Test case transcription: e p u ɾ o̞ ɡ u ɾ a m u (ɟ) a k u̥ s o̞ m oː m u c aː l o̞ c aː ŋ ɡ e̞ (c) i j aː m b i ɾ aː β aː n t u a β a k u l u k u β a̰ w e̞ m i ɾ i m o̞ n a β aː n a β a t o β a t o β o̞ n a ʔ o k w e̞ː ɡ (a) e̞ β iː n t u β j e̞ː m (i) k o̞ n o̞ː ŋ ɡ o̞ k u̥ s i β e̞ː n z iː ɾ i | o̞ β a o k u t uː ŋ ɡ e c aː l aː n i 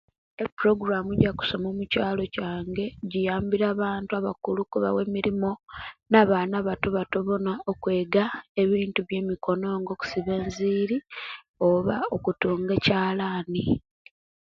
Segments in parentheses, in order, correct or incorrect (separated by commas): correct, incorrect, correct, correct